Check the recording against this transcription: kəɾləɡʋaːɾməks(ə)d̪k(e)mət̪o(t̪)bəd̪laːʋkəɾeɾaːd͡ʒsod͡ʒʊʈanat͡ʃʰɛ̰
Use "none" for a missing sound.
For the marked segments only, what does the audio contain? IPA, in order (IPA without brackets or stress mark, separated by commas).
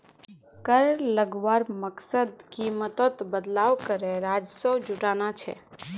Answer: ə, i, t̪